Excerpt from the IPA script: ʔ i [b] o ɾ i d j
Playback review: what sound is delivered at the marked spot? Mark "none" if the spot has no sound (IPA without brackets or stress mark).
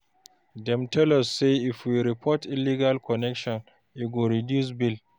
ɡ